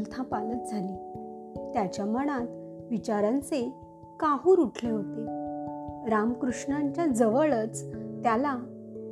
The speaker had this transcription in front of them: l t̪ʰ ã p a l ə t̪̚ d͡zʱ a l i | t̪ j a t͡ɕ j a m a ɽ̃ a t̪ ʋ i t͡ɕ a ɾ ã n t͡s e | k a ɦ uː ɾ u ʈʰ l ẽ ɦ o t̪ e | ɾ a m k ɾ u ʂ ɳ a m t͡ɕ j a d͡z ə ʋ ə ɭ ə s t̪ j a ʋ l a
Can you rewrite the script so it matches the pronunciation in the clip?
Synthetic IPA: l t̪ʰ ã p a l ə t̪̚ d͡zʱ a l i | t̪ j a t͡ɕ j a m ə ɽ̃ a t̪ ʋ i t͡ɕ a ɾ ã n t͡s e | k a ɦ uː ɾ u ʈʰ l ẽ ɦ o t̪ e | ɾ a m k ɾ u ʂ ɳ a ɲ t͡ɕ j a d͡z ə ʋ ə ɭ ə t͡s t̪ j a l a